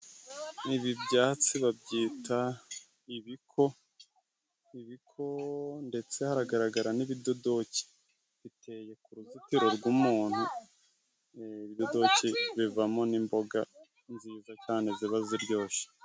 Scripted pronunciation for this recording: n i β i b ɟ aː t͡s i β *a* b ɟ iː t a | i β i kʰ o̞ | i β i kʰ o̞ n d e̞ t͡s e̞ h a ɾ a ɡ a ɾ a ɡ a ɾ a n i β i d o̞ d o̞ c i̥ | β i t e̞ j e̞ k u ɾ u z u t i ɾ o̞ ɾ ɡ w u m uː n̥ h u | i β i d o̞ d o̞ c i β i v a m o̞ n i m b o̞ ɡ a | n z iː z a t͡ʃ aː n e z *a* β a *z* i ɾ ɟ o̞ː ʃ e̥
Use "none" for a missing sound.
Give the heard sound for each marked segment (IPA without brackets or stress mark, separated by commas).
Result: a, i, z